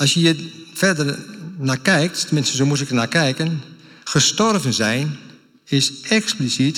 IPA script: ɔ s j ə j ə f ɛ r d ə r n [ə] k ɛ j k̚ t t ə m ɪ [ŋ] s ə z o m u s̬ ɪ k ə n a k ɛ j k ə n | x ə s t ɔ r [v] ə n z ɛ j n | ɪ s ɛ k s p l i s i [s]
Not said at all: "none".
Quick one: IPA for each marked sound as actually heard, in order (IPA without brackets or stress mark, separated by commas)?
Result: a, n, v, t